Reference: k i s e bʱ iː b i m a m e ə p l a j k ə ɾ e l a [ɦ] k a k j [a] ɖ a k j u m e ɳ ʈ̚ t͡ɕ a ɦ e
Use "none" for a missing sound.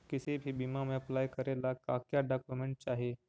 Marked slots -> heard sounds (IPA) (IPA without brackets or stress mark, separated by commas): none, a